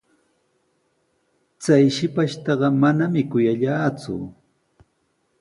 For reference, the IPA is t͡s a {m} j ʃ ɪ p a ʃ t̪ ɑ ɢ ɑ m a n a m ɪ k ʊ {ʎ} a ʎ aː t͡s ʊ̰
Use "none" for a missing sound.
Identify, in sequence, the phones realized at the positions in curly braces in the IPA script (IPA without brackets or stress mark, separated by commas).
none, j